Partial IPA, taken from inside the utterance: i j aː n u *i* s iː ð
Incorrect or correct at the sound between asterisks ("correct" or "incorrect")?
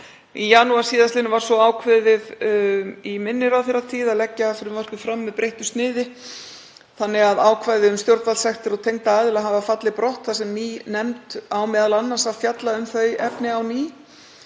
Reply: incorrect